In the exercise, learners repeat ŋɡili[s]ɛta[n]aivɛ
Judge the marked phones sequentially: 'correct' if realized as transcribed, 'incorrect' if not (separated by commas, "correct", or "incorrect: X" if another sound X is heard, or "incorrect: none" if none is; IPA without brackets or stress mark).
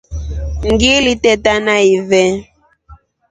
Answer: incorrect: t, correct